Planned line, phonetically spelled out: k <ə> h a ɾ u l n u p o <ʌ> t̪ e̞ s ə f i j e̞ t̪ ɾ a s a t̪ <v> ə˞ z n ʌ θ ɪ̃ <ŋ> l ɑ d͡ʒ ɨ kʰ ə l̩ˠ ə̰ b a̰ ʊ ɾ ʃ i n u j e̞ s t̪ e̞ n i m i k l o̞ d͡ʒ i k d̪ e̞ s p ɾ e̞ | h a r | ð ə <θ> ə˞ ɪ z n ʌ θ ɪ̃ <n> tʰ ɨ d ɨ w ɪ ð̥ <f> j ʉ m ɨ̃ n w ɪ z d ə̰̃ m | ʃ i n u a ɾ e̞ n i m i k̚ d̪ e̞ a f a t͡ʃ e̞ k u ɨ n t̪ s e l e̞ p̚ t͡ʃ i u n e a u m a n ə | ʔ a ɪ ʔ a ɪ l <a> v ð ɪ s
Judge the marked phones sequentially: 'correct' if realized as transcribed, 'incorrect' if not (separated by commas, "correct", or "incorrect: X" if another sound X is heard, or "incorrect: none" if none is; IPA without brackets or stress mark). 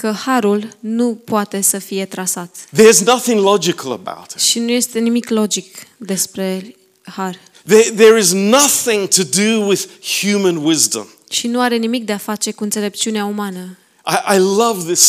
correct, incorrect: a, incorrect: ð, correct, incorrect: ð, incorrect: ŋ, incorrect: h, incorrect: ʌ